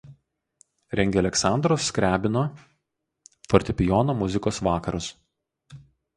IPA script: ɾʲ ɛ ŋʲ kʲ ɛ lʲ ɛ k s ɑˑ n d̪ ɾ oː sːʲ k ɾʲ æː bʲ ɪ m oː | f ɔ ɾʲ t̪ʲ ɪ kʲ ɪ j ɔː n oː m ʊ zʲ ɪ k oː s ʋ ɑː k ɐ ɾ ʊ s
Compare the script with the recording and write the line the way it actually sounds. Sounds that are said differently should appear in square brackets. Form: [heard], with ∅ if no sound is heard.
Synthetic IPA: ɾʲ ɛ ŋʲ [ɡʲ] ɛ lʲ ɛ k s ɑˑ n d̪ ɾ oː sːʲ k ɾʲ æː bʲ ɪ [n] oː | f ɔ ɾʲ t̪ʲ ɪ [pʲ] ɪ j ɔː n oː m ʊ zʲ ɪ k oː s ʋ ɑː k ɐ ɾ ʊ s